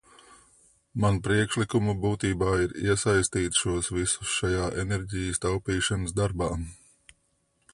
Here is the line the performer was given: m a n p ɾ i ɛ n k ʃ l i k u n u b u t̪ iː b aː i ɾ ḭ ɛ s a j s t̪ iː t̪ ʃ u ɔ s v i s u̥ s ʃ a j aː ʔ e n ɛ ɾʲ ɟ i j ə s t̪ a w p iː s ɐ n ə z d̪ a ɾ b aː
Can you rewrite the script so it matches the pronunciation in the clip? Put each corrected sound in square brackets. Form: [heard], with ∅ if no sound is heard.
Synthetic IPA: m a n p ɾ i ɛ [∅] k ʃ l i k u [m] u b [uː] t̪ iː b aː i ɾ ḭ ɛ s a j s t̪ iː t̪ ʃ u ɔ s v i s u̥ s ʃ a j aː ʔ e n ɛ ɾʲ ɟ i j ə s t̪ a w p iː [ʃ] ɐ n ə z d̪ a ɾ b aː